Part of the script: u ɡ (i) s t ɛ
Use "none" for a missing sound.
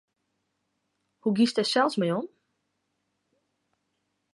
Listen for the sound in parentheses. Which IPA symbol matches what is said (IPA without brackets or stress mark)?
i